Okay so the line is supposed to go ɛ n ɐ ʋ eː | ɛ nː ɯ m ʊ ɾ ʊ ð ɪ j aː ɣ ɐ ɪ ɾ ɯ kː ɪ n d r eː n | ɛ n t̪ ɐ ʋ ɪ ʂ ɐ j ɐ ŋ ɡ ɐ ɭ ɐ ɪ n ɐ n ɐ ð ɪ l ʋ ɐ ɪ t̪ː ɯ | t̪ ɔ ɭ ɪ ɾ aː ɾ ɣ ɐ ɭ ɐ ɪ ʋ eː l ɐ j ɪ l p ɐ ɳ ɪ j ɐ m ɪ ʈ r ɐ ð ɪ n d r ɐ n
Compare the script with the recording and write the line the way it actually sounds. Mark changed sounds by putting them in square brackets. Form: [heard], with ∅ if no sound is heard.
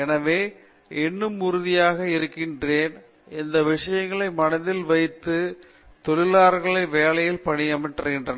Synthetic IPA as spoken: ɛ n ɐ ʋ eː | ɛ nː ɯ m ʊ ɾ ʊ ð ɪ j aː ɣ ɐ ɪ ɾ ɯ kː ɪ n d r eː n | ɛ n [d̪] ɐ ʋ ɪ ʂ ɐ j ɐ ŋ ɡ ɐ ɭ ɐ ɪ [m] ɐ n ɐ ð ɪ l ʋ ɐ ɪ t̪ː ɯ | t̪ ɔ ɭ ɪ [l] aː ɾ ɣ ɐ ɭ ɐ ɪ ʋ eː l ɐ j ɪ l p ɐ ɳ ɪ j ɐ m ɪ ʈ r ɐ [ɣ] ɪ n d r ɐ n